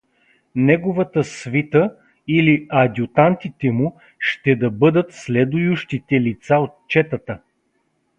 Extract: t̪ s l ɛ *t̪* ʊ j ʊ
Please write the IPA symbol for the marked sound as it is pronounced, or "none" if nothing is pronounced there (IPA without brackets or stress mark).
d̪